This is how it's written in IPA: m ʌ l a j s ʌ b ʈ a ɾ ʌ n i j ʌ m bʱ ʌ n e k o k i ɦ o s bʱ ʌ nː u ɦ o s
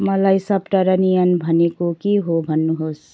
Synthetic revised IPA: m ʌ l a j s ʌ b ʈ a ɾ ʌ n i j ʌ n bʱ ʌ n e k o k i ɦ o bʱ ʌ nː u ɦ o s